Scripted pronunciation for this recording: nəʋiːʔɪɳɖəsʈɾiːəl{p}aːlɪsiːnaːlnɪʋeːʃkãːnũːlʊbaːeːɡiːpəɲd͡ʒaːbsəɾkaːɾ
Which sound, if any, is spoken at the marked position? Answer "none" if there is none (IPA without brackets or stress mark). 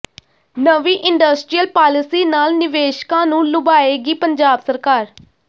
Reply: p